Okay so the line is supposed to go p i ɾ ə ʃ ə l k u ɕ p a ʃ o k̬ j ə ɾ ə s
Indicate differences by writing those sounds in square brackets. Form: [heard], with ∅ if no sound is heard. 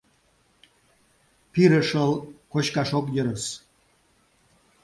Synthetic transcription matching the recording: p i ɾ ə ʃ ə l k [o] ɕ [k] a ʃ o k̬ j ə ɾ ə s

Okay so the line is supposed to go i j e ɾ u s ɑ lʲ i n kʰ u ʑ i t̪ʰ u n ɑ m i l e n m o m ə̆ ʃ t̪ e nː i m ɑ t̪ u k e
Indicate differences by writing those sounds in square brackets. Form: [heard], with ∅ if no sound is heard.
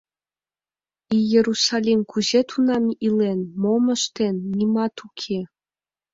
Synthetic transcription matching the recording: i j e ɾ u s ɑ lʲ i [m] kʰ u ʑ [e] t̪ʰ u n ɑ m i l e n m o m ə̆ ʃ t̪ e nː i m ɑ t̪ u [kʰ] e

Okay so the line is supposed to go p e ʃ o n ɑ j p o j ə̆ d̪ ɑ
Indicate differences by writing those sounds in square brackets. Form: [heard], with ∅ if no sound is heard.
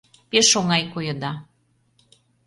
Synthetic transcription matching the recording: p e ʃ o [ŋ] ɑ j [k] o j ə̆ d̪ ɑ

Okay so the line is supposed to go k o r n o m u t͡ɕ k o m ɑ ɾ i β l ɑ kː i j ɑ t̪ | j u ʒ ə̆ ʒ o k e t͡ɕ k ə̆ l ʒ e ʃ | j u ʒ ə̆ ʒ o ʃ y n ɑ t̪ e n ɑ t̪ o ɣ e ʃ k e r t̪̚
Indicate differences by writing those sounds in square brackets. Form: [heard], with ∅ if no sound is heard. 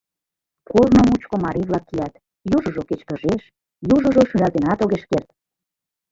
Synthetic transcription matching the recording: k o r n o m u t͡ɕ k o m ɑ ɾ i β l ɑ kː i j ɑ t̪ | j u ʒ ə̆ ʒ o k e t͡ɕ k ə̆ [∅] ʒ e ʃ | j u ʒ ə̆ ʒ o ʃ y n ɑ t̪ e n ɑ t̪ o ɣ e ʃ k e r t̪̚

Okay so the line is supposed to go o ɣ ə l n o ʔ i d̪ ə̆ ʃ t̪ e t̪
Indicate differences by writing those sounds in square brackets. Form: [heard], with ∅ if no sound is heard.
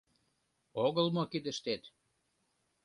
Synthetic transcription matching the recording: o ɣ ə l [m] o [k] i d̪ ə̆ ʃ t̪ e t̪

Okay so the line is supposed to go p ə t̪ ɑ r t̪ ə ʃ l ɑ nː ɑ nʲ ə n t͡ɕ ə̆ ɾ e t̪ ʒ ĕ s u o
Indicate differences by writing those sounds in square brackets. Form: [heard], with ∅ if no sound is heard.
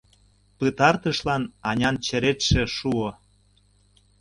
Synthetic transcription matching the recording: p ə t̪ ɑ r t̪ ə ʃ l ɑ [n] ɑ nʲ [ɑ] n t͡ɕ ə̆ ɾ e t̪ [ʃ] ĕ [ʃ] u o

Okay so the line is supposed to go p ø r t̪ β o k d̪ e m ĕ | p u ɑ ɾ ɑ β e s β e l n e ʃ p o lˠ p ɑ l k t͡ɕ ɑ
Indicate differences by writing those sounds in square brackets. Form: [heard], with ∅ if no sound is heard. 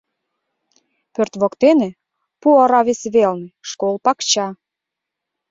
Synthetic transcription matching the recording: p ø r t̪ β o k [t̪] e [n] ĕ | p u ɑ ɾ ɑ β e s β e l n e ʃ [k] o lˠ p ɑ [∅] k t͡ɕ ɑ

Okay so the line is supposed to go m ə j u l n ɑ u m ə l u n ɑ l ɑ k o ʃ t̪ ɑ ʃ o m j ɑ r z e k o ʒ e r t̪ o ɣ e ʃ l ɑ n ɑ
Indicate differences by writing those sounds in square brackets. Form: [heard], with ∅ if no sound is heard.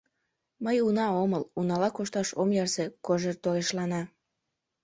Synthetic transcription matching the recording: m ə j u [∅] n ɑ [o] m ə l u n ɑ l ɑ k o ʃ t̪ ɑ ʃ o m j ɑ r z e k o ʒ e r t̪ o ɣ e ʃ l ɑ n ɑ

